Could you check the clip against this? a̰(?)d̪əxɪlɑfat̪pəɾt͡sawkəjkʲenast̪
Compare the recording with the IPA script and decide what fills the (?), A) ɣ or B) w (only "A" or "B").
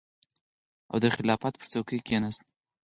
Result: B